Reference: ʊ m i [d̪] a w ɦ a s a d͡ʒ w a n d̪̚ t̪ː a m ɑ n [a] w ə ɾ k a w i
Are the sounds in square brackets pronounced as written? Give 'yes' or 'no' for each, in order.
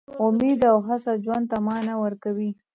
yes, yes

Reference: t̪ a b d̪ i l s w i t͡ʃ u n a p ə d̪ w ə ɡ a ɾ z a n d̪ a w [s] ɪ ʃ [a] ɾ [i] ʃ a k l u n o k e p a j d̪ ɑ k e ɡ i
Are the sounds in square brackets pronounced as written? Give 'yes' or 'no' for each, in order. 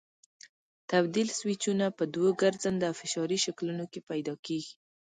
no, no, yes

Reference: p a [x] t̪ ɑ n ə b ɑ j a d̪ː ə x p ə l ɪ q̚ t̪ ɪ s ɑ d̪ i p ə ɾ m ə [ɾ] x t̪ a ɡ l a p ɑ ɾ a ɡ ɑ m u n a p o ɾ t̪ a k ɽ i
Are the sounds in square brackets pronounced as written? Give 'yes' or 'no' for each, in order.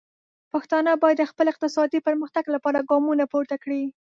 yes, no

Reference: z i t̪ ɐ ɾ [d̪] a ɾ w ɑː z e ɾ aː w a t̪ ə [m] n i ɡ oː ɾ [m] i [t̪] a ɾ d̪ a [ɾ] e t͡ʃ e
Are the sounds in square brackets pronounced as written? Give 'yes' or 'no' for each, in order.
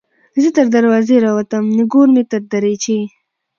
yes, yes, yes, yes, yes

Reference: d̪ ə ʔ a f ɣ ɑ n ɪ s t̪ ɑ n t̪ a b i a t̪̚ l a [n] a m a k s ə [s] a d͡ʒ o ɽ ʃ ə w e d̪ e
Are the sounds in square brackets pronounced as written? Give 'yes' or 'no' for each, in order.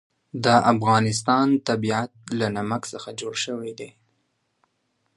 yes, no

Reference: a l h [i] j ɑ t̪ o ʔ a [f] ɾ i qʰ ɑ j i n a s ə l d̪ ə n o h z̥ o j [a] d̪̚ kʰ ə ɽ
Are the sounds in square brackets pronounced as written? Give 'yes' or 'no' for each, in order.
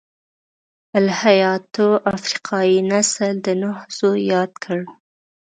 no, yes, no

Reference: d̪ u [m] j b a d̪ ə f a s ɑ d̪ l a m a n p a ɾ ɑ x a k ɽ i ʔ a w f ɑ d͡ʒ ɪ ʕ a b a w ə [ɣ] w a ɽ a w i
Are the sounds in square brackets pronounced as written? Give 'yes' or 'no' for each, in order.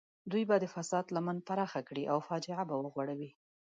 no, yes

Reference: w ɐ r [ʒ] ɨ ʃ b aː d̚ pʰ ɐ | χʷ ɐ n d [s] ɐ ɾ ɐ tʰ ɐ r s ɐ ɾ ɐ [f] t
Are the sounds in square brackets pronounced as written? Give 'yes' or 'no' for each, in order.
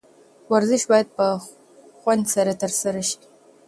no, yes, no

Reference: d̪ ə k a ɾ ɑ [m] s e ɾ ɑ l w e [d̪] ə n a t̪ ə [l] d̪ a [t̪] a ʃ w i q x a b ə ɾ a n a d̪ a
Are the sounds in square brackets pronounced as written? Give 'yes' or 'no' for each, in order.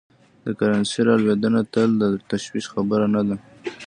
no, yes, yes, yes

